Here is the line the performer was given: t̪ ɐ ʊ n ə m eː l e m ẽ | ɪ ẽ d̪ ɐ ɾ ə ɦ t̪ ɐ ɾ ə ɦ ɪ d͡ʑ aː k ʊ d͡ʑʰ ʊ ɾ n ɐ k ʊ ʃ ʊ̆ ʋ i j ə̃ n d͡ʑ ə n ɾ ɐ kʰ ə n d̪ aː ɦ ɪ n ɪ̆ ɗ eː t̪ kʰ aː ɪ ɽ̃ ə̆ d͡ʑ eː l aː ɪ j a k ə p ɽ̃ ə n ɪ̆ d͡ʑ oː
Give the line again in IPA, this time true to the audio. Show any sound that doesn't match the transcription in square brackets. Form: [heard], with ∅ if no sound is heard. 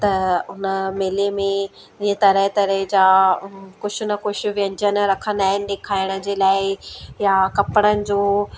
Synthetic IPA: t̪ ɐ ʊ n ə m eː l e m ẽ | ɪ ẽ [t̪] ɐ ɾ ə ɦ t̪ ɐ ɾ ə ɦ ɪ d͡ʑ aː k ʊ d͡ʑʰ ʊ [∅] n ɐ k ʊ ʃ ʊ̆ ʋ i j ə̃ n d͡ʑ ə n ɾ ɐ kʰ ə n d̪ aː ɦ ɪ n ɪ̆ ɗ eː [∅] kʰ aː ɪ ɽ̃ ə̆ d͡ʑ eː l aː ɪ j a k [ɐ] p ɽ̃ ə n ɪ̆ d͡ʑ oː

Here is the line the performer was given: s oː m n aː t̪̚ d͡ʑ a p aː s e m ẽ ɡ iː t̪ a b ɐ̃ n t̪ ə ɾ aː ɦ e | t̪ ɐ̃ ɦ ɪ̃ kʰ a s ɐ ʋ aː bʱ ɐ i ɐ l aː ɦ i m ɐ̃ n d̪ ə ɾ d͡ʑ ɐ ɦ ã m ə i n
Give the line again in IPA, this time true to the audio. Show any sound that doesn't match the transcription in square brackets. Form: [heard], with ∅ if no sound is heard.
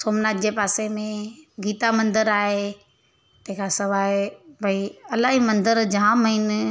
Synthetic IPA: s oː m n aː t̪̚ d͡ʑ [e] p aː s e m ẽ ɡ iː t̪ a [m] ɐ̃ n [d̪] ə ɾ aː ɦ e | t̪ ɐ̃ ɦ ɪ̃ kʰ a s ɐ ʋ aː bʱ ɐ i ɐ l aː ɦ i m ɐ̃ n d̪ ə ɾ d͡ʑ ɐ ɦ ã m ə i n

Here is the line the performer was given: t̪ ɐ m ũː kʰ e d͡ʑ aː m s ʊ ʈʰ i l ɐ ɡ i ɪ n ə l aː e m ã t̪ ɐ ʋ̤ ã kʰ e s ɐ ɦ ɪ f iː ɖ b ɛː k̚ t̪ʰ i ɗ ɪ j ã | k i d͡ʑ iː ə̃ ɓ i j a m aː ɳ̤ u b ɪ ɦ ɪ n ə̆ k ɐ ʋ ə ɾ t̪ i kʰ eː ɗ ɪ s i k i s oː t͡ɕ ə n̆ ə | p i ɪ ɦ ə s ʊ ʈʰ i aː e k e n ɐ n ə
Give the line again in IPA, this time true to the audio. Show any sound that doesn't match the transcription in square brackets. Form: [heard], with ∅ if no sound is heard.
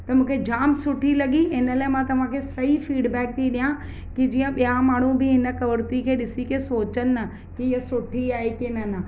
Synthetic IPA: t̪ ɐ m ũː kʰ e d͡ʑ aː m s ʊ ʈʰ i l ɐ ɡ i ɪ n ə l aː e m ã t̪ ɐ ʋ̤ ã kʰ e s ɐ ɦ [i] f iː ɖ b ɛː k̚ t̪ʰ i ɗ [i] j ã | k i d͡ʑ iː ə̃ ɓ i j a m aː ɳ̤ u b ɪ ɦ ɪ n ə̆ k ɐ ʋ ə ɾ t̪ i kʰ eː ɗ ɪ s i k [e] s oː t͡ɕ ə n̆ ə | [k] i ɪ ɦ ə s ʊ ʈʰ i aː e k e n ɐ n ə

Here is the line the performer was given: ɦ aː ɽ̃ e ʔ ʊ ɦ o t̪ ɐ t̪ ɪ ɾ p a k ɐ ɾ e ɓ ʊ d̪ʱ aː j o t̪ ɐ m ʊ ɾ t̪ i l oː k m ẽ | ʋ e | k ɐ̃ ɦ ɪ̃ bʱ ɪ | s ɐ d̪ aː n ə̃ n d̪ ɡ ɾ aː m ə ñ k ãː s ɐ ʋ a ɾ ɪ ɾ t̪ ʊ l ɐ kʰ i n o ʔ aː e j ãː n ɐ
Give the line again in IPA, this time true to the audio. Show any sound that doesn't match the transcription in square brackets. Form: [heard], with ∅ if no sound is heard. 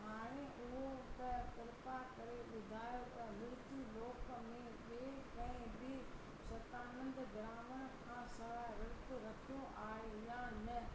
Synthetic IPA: ɦ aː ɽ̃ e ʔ ʊ ɦ o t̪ ɐ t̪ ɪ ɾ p a k ɐ ɾ e ɓ ʊ d̪ʱ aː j o t̪ ɐ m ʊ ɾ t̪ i l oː k m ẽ | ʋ e | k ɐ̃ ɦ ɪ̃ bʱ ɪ | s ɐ [t̪] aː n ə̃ n d̪ ɡ ɾ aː m ə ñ [kʰ] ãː s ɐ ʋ a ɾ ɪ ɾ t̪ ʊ [ɾ] ɐ kʰ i [∅] o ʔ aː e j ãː n ɐ

